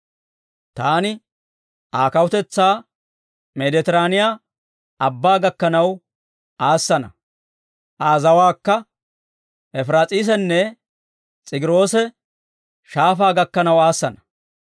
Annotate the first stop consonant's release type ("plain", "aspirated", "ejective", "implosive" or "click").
plain